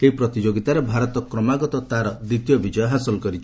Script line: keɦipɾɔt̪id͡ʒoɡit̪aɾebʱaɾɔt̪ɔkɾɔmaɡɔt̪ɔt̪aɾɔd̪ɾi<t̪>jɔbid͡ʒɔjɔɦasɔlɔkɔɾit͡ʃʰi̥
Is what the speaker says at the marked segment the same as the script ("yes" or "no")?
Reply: yes